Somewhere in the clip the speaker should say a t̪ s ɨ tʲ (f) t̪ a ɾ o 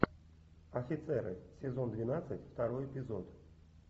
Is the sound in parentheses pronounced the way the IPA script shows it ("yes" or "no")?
yes